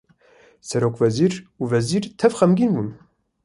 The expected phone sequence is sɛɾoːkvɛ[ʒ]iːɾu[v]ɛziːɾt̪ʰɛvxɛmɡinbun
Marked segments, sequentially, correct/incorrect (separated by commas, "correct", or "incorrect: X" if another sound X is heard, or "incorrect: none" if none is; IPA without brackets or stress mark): incorrect: z, correct